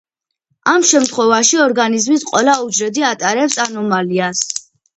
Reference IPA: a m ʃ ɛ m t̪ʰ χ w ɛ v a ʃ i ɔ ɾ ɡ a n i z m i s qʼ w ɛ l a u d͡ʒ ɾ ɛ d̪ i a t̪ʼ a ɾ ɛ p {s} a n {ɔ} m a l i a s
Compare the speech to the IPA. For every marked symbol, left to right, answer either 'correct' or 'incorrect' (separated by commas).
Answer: correct, correct